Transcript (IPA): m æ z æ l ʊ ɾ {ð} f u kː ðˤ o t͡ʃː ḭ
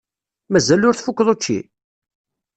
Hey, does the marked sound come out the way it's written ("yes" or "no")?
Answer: no